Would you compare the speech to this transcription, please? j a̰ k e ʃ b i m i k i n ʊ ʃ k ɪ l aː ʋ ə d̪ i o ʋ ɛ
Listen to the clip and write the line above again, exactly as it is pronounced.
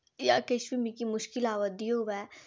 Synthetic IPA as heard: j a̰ k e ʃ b i m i k i m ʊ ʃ k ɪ l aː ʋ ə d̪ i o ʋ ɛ